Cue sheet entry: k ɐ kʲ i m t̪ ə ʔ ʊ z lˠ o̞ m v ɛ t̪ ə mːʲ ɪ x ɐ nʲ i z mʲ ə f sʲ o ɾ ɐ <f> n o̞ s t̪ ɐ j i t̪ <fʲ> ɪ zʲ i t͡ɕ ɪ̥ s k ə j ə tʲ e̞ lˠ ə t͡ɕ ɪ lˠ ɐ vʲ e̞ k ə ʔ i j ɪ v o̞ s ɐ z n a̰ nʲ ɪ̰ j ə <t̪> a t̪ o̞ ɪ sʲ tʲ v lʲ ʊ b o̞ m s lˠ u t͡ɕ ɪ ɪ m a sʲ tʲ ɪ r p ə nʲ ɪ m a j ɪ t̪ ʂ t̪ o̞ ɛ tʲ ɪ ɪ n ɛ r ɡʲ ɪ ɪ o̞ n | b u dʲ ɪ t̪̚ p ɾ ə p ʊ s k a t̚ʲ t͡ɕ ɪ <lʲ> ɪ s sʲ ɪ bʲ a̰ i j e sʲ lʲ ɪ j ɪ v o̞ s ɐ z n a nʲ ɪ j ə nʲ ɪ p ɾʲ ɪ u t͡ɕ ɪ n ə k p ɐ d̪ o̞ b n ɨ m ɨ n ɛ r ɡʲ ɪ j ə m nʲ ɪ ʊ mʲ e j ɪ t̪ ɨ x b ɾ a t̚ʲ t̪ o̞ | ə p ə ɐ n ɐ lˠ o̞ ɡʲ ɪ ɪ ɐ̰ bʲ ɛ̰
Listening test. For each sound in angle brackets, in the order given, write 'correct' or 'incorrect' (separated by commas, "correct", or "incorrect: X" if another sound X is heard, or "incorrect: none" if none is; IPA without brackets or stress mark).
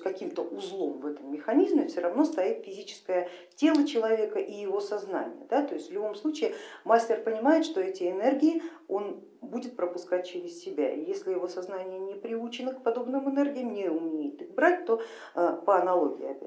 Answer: incorrect: v, correct, incorrect: d̪, incorrect: ɾʲ